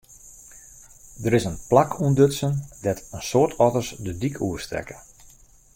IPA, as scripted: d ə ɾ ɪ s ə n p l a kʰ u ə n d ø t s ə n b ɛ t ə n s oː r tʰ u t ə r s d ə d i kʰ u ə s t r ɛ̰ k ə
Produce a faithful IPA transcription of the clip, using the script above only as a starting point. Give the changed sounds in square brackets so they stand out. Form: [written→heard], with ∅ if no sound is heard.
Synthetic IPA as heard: d ə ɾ ɪ s ə n p l a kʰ u ə n d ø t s ə n [b→d] ɛ t ə n s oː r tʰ [u→ɔ] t ə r s d ə d i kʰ u ə s t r ɛ̰ k ə